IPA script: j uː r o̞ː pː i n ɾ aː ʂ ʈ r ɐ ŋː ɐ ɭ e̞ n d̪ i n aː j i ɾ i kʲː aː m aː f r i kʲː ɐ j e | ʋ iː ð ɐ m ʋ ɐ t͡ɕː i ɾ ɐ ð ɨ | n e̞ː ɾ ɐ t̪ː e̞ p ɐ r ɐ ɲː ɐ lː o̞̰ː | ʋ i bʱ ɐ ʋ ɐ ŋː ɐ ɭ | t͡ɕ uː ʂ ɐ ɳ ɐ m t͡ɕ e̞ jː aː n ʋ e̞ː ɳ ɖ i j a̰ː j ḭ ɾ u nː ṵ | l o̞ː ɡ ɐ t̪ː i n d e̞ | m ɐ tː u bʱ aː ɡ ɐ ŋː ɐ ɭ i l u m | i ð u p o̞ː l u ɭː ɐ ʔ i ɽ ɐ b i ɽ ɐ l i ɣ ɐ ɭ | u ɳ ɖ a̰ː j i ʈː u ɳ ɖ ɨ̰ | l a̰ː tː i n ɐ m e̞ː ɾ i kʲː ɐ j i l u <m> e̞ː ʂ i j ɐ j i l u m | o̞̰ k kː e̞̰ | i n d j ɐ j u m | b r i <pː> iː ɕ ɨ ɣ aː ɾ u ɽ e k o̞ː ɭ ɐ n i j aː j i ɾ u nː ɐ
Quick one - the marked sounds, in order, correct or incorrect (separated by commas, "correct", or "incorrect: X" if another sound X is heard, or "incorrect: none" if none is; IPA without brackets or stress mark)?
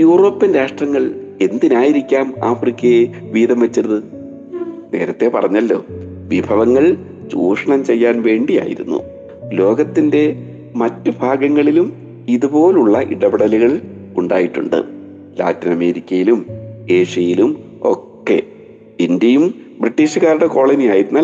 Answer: correct, incorrect: ʈː